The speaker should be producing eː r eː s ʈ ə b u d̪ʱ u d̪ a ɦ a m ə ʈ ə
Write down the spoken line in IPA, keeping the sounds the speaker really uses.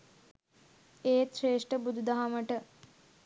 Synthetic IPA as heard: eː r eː ʂ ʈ ə b u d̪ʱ u d̪ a ɦ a m ə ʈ ə